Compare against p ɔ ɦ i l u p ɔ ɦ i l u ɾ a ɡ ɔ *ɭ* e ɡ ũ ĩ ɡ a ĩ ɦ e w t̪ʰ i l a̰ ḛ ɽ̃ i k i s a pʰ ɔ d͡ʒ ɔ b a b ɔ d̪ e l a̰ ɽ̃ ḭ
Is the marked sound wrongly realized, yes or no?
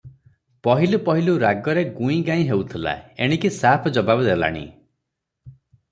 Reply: yes